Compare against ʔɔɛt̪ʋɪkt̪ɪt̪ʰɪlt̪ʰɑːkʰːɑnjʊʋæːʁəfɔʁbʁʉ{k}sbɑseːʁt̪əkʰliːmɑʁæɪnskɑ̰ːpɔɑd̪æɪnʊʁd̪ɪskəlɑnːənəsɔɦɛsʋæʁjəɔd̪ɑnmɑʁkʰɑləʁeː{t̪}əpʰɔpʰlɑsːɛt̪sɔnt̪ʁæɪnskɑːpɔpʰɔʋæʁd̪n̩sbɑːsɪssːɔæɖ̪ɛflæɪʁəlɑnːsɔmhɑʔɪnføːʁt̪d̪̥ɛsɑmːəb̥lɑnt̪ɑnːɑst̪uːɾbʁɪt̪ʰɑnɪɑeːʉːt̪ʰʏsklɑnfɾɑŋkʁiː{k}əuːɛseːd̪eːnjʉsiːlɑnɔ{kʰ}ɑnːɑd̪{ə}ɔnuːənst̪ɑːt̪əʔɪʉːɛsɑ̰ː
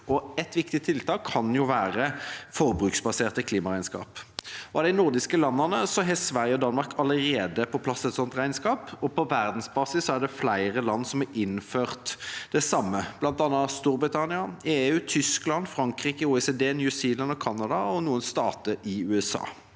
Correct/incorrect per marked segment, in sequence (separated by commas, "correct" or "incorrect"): correct, incorrect, correct, correct, incorrect